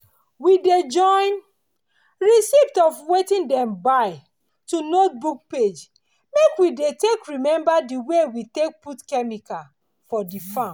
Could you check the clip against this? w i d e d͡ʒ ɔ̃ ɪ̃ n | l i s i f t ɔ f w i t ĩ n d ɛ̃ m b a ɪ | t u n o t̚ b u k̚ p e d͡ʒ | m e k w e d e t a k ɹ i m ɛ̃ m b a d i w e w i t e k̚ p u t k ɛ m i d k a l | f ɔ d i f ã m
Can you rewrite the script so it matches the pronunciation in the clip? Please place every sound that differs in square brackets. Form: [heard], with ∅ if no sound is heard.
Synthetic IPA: w i d e d͡ʒ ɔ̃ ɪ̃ n | [ɹ] i s i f t ɔ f w [e] t ĩ n d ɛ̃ m b a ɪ | t u n o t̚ b u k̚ p e d͡ʒ | m e k w [i] d e t [e] k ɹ i m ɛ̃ m b a d i w e w i t e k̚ p u t k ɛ m i [∅] k a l | f ɔ d i f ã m

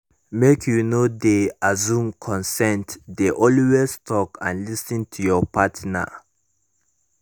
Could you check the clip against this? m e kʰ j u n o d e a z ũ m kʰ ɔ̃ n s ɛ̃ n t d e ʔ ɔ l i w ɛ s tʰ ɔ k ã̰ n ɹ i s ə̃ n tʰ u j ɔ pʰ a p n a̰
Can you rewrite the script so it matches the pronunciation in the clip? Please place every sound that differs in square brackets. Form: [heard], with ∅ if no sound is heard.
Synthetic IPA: m e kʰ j u n o d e a z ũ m kʰ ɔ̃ n s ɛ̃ n t d e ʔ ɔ l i w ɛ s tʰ ɔ k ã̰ n [l] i s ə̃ n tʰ u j ɔ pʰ a [t] n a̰

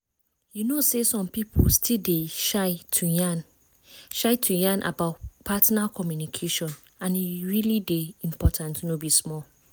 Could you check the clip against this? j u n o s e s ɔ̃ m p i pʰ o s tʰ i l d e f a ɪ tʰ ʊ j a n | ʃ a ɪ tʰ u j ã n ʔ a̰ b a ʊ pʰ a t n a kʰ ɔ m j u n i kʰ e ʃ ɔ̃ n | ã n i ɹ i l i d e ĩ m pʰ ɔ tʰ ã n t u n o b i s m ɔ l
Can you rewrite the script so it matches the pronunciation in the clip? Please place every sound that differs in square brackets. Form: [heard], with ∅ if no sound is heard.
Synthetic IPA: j u n o s e s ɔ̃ m p i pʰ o s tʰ i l d e [ʃ] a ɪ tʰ [u] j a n | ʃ a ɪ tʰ u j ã n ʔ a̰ b a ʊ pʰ a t n a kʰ ɔ m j u n i kʰ e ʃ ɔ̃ n | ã n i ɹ i l i d e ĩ m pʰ ɔ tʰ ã n t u n o b i s m ɔ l

